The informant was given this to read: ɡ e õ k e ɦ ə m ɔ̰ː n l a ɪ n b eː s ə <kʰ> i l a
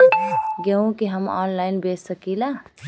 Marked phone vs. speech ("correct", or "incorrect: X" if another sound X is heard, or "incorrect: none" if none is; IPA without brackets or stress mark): incorrect: k